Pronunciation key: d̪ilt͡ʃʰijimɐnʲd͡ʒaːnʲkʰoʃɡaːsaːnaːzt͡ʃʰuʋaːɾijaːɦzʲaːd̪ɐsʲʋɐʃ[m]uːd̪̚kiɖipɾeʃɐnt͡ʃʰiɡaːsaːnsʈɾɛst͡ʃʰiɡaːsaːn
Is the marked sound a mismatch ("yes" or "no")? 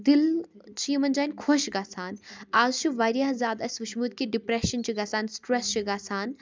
no